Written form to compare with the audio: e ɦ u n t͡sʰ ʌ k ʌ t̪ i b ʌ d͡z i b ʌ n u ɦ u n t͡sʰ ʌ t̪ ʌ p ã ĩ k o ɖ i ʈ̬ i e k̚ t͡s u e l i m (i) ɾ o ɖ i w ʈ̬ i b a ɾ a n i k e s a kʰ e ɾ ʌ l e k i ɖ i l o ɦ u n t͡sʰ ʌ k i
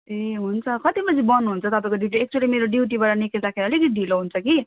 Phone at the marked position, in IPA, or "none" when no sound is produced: e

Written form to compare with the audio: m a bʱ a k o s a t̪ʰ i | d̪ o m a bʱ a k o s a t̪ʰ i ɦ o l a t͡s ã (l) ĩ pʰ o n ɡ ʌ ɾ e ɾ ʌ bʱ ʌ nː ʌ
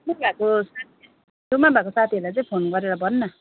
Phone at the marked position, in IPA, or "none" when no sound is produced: none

